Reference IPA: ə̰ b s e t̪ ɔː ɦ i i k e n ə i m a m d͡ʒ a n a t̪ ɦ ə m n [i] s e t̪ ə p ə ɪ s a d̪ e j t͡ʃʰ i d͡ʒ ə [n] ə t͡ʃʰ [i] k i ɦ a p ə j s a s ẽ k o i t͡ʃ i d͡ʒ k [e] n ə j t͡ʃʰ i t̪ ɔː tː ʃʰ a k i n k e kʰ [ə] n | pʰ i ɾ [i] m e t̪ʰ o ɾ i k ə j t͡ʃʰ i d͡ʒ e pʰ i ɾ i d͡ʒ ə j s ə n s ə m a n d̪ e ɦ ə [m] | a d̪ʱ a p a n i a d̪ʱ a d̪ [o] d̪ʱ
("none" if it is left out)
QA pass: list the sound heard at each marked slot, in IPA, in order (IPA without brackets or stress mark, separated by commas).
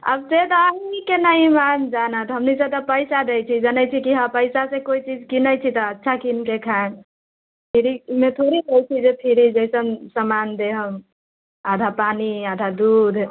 i, n, i, i, a, i, m, u